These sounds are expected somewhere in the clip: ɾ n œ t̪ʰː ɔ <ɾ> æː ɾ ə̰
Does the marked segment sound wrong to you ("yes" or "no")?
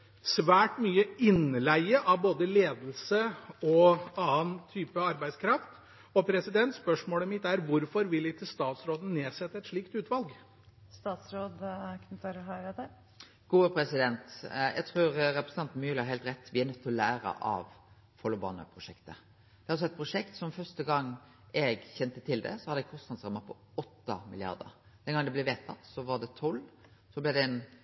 yes